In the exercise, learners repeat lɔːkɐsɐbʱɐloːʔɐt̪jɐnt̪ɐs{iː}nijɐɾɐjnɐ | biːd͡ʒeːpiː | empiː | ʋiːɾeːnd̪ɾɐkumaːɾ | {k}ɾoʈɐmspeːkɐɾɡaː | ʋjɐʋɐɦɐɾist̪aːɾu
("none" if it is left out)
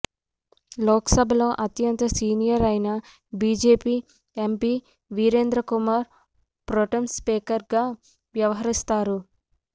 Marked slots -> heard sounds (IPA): iː, p

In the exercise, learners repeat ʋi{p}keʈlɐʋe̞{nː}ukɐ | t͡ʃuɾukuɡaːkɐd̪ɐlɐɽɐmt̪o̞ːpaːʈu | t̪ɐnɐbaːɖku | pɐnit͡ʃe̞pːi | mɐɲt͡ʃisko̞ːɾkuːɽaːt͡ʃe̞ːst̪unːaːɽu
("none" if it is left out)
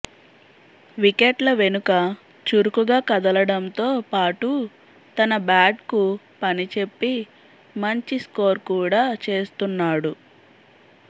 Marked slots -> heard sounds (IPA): none, n

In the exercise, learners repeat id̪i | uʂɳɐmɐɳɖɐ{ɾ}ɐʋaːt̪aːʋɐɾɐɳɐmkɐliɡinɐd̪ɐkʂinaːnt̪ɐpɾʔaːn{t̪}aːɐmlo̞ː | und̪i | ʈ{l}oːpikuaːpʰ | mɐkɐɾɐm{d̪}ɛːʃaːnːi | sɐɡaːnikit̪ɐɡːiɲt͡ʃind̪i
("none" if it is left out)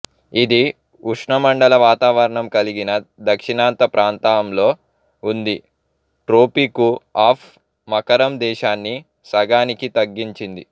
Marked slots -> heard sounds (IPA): l, t̪, ɾ, d̪

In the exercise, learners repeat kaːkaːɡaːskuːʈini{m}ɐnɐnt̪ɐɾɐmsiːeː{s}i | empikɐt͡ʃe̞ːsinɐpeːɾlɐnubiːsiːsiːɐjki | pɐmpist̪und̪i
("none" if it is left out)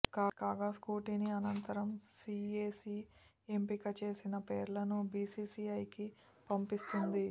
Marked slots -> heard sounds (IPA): none, s

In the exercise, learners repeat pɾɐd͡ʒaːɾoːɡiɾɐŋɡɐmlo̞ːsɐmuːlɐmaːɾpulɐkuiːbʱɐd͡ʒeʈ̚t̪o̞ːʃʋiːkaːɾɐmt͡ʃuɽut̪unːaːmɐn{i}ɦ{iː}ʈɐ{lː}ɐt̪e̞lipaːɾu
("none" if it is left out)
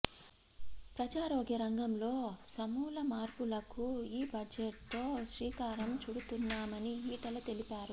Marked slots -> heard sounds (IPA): i, iː, l

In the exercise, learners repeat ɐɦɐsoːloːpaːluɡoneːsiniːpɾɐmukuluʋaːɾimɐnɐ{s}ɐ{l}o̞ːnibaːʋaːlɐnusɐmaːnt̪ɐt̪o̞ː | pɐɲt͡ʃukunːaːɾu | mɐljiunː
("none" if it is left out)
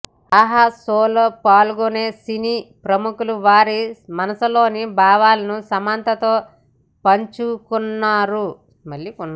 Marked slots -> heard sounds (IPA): s, l

